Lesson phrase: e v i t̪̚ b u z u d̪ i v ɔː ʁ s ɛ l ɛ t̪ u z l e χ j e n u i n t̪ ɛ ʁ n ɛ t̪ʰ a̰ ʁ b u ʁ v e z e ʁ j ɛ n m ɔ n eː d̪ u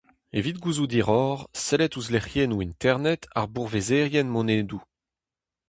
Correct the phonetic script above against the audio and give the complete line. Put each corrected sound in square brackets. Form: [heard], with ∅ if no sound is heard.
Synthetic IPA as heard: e v i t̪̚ [ɡ] u z u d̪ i [ʁ] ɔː ʁ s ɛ l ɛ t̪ u z l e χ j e n u i n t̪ ɛ ʁ n ɛ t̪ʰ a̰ ʁ b u ʁ v e z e ʁ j ɛ n m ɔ n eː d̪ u